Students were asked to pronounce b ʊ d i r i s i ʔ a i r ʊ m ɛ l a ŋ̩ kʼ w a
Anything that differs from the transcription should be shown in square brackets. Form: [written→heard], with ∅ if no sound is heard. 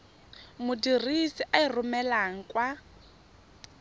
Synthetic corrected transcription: [b→m] ʊ d i r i s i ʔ a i r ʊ m ɛ l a ŋ̩ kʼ w a